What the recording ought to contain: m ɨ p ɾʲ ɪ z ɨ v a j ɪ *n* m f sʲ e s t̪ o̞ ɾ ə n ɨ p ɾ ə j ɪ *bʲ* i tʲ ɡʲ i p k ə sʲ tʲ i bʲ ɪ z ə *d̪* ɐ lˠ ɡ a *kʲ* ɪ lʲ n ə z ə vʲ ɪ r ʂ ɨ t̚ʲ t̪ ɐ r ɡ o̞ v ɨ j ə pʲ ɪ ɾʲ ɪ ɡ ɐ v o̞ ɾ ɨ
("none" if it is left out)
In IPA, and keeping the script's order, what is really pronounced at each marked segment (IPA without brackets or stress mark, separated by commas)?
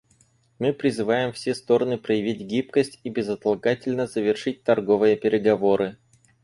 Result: none, vʲ, t̪, tʲ